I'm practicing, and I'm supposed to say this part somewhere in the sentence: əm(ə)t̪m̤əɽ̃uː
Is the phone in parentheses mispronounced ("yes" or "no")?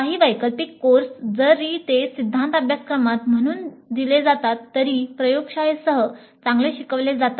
yes